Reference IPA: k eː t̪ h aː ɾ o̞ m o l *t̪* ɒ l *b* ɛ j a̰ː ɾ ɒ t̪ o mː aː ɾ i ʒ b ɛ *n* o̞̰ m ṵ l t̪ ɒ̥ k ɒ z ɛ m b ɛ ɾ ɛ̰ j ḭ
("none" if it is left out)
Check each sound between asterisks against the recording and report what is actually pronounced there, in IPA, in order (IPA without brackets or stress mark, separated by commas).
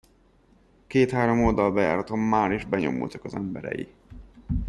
d̪, b, ɲ